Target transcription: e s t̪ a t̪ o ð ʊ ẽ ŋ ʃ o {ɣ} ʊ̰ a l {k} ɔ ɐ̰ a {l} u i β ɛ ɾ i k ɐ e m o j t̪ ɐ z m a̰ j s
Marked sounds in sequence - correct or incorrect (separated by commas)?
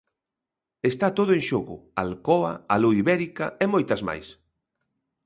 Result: correct, correct, correct